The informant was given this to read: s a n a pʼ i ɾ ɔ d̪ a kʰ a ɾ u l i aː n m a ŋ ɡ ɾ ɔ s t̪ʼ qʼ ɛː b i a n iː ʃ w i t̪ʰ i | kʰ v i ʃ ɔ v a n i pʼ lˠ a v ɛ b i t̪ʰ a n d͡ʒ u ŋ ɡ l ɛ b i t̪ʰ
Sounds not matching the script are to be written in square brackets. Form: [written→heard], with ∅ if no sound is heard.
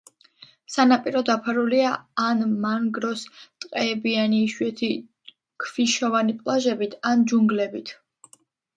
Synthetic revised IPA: s a n a pʼ i ɾ ɔ d̪ a [kʰ→pʰ] a ɾ u l i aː n m a ŋ ɡ ɾ ɔ s t̪ʼ qʼ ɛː b i a n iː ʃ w [i→ɛ] t̪ʰ i | kʰ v i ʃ ɔ v a n i pʼ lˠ a [v→ʒ] ɛ b i t̪ʰ a n d͡ʒ u ŋ ɡ l ɛ b i t̪ʰ

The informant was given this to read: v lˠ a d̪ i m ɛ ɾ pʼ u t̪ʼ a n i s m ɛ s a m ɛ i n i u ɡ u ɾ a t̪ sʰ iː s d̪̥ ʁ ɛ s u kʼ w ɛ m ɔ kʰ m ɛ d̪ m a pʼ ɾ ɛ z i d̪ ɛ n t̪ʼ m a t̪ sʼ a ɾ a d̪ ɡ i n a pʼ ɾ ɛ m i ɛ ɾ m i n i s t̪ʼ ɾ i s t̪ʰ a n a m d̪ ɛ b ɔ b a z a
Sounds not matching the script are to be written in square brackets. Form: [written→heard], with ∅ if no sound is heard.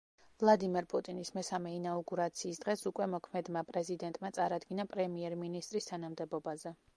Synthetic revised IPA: v lˠ a d̪ i m ɛ ɾ pʼ u t̪ʼ [a→i] n i s m ɛ s a m ɛ i n [i→a] u ɡ u ɾ a t̪ sʰ iː s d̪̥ ʁ ɛ s u kʼ w ɛ m ɔ kʰ m ɛ d̪ m a pʼ ɾ ɛ z i d̪ ɛ n t̪ʼ m a t̪ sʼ a ɾ a d̪ ɡ i n a pʼ ɾ ɛ m i ɛ ɾ m i n i s t̪ʼ ɾ i s t̪ʰ a n a m d̪ ɛ b ɔ b a z [a→ɛ]

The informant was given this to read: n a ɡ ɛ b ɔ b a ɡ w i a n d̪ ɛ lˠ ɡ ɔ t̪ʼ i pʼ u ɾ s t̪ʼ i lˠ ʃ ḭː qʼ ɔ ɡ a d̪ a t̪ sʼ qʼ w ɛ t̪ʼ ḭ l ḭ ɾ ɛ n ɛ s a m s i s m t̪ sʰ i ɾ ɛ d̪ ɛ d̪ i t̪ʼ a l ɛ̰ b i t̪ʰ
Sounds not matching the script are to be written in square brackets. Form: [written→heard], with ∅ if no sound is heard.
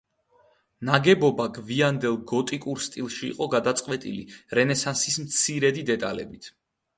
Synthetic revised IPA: n a ɡ ɛ b ɔ b a ɡ [w→v] i a n d̪ ɛ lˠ ɡ ɔ t̪ʼ i [pʼ→kʼ] u ɾ s t̪ʼ i lˠ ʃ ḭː qʼ ɔ ɡ a d̪ a t̪ sʼ qʼ w ɛ t̪ʼ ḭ l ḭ ɾ ɛ n ɛ s a [m→n] s i s m t̪ sʰ i ɾ ɛ d̪ [ɛ→i] d̪ [i→ɛ] t̪ʼ a l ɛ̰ b i t̪ʰ

